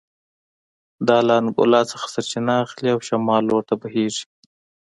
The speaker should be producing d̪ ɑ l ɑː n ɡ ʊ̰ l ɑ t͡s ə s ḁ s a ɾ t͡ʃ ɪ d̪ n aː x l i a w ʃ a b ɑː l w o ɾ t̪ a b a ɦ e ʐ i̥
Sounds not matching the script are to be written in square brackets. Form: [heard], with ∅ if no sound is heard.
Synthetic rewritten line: d̪ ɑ l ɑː n ɡ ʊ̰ l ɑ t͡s ə [x] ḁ s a ɾ t͡ʃ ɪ [∅] n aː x l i a w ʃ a [m] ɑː l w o ɾ t̪ a b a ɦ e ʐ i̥